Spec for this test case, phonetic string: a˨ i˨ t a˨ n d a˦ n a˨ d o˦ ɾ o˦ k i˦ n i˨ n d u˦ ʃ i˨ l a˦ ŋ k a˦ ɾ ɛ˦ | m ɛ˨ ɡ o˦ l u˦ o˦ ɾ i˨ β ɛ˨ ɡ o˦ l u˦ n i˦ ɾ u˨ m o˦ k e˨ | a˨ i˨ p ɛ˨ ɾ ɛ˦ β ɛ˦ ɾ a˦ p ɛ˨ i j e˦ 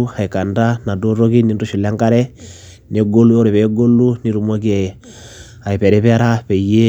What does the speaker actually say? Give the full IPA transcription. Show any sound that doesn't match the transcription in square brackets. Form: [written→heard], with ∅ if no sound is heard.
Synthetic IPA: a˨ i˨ [t→k] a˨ n d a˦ n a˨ d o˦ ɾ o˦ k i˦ n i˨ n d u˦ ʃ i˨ l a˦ ŋ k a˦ ɾ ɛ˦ | [m→n] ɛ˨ ɡ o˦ l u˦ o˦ ɾ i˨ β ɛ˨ ɡ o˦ l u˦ n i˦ ɾ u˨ m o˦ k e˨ | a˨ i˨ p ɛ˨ ɾ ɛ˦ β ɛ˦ ɾ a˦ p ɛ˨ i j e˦